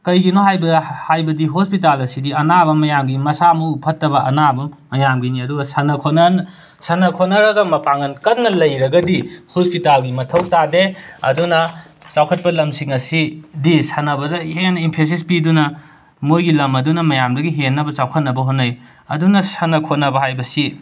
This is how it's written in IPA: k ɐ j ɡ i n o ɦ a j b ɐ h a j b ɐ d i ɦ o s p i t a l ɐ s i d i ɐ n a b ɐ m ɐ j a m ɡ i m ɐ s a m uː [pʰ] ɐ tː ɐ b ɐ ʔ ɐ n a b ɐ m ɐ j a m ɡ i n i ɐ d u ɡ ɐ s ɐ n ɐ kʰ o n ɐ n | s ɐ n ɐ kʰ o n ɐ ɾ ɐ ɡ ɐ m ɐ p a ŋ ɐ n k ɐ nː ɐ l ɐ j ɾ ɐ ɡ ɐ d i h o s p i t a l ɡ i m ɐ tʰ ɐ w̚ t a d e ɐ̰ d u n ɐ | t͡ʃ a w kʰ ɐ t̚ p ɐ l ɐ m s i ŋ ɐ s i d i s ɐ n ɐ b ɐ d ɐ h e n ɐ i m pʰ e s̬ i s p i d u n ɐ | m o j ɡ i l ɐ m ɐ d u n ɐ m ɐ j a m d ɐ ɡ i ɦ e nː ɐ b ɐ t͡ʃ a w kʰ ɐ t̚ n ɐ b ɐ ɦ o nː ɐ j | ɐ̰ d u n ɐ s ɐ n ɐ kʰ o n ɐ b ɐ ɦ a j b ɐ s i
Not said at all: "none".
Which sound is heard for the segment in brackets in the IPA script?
pʰ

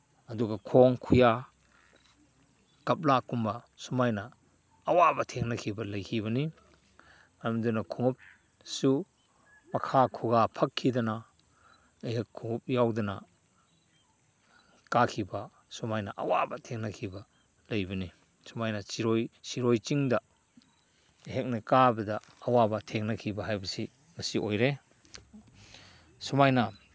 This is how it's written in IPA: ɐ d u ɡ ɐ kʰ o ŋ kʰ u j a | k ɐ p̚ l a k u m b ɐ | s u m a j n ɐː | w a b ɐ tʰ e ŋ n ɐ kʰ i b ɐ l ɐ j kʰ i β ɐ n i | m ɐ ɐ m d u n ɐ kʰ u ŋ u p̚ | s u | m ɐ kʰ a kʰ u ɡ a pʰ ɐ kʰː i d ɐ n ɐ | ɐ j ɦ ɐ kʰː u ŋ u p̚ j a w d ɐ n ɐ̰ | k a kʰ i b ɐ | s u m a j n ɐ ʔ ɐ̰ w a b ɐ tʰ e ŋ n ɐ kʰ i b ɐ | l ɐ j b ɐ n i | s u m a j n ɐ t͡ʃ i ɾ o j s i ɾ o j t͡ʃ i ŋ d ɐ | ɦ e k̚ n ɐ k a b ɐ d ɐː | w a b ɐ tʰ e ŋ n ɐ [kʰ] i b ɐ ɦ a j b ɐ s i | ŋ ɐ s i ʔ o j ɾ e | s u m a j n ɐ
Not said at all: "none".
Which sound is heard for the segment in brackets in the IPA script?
kʰ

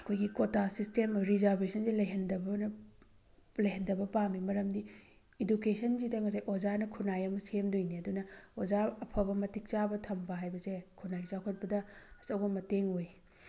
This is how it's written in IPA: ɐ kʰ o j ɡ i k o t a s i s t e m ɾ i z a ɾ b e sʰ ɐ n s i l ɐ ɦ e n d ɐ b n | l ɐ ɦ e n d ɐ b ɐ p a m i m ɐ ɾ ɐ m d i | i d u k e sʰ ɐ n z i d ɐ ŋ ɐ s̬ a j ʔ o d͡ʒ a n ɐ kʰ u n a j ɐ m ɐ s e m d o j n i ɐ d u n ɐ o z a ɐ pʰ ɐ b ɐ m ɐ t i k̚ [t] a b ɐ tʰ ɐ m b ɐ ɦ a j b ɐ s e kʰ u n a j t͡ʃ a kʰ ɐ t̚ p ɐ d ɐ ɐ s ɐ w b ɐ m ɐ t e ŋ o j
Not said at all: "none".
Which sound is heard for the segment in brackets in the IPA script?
t͡ʃ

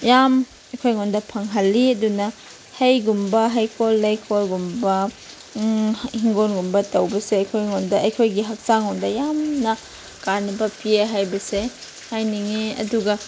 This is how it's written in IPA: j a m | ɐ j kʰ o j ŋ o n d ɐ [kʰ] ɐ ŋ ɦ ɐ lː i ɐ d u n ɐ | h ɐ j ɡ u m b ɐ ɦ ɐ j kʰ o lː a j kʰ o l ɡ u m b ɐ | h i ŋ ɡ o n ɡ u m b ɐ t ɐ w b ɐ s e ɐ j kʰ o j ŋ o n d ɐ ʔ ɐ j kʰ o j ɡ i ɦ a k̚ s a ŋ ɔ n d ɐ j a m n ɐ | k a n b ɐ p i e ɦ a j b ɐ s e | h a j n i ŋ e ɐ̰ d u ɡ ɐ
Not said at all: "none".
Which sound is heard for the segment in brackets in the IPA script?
pʰ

